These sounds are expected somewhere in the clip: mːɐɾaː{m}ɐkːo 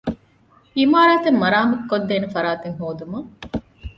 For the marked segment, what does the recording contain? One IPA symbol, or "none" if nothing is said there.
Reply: m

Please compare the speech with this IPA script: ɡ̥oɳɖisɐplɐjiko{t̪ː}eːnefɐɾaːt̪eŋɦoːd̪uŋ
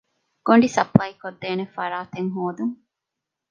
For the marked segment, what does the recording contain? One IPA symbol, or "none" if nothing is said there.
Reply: d̪ː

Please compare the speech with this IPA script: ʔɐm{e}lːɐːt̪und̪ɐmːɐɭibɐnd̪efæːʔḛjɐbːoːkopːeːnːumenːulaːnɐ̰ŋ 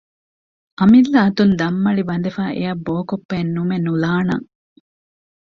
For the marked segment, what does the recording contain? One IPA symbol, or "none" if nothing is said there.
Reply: i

